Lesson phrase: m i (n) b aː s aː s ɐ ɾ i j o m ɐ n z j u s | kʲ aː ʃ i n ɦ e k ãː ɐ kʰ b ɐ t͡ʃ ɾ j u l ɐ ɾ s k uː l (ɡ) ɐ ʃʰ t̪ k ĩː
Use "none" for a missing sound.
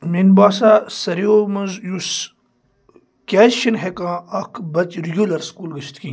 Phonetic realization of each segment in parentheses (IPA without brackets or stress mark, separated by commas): n, ɡ